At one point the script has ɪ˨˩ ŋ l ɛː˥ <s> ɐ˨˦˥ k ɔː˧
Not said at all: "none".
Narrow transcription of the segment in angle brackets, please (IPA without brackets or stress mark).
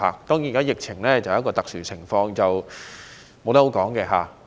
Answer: t͡s